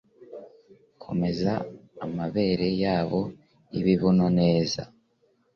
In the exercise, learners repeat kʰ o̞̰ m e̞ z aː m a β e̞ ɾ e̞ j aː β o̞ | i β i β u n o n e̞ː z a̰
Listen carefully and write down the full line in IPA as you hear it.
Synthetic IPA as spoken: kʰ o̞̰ m e̞ z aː m a β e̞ ɾ e̞ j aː β o̞ | i β i β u n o n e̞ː z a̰